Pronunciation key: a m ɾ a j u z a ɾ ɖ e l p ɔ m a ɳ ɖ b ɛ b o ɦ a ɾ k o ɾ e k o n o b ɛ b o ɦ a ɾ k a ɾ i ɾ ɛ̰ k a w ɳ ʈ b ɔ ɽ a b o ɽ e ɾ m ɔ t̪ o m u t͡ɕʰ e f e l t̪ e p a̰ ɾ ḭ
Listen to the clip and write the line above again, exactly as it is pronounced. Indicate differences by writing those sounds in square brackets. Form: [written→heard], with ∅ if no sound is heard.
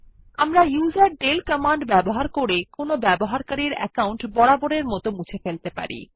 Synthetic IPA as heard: a m ɾ a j u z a ɾ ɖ e l [p→k] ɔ m a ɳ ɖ b ɛ b o ɦ a ɾ k o ɾ e k o n o b ɛ b o ɦ a ɾ k a ɾ i ɾ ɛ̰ k a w ɳ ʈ b ɔ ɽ a b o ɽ e ɾ m ɔ t̪ o m u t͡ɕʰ e f e l t̪ e p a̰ ɾ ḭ